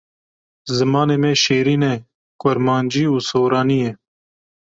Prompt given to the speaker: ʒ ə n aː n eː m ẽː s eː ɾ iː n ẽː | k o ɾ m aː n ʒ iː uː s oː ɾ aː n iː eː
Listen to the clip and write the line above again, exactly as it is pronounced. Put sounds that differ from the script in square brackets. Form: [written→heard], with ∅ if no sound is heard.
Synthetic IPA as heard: [ʒ→z] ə [n→m] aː n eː m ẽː [s→ʃ] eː ɾ iː n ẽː | k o ɾ m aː n [ʒ→d͡ʒ] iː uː s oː ɾ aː n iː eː